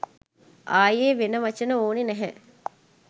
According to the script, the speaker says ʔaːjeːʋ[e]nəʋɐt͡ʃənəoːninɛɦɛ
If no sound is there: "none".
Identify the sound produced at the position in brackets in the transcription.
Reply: e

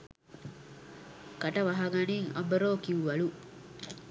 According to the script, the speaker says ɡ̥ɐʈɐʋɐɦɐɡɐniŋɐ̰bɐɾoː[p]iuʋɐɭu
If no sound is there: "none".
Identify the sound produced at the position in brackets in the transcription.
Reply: k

